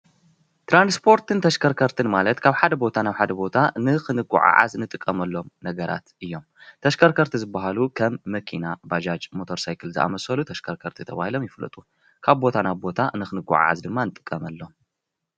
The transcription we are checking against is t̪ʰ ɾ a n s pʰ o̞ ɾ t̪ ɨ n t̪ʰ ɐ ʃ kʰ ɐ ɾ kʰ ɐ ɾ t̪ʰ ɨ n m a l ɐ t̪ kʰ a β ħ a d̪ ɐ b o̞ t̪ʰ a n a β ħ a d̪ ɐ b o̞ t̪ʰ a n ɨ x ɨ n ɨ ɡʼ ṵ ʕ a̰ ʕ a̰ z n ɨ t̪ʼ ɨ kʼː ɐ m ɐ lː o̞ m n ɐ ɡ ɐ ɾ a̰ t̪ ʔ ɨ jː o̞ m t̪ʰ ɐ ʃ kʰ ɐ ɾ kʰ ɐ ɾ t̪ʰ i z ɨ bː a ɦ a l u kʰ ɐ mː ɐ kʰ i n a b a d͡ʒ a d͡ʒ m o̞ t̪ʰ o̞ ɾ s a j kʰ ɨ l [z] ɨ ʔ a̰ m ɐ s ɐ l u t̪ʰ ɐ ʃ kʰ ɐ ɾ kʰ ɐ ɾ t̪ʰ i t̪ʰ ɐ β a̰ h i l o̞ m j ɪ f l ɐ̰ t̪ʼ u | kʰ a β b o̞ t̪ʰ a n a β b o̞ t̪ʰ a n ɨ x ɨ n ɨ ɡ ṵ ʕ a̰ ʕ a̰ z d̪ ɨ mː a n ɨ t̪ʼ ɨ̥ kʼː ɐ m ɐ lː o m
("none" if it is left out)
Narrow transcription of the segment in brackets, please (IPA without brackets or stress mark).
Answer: z